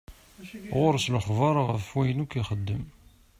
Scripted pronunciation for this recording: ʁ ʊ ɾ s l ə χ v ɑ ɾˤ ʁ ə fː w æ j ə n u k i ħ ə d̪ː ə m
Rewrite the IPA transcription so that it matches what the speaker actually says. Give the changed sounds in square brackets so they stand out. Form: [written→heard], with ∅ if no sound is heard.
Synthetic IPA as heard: ʁ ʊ ɾ s l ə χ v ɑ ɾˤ ʁ ə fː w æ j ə n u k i [ħ→χ] ə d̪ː ə m